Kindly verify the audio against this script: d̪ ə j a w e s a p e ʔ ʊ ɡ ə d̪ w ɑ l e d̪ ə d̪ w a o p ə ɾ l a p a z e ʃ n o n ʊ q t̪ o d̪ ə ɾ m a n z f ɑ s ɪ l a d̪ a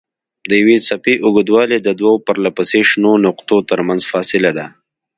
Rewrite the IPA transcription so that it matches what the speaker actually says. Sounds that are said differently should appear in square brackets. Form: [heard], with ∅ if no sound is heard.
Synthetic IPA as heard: d̪ ə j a w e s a p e ʔ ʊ ɡ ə d̪ w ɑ l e d̪ ə d̪ w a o p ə ɾ l a p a [s] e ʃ n o n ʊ q t̪ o [t̪] ə ɾ m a n z f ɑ s ɪ l a d̪ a